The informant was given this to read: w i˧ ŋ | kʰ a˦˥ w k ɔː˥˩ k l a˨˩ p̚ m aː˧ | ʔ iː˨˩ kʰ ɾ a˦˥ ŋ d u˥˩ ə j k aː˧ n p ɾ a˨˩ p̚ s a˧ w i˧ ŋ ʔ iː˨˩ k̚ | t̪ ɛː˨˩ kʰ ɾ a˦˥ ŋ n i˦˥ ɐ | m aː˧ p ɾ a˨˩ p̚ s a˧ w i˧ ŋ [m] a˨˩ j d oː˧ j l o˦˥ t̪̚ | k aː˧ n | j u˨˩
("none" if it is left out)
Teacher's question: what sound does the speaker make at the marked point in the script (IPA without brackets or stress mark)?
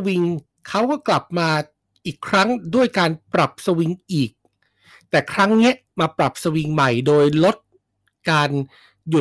m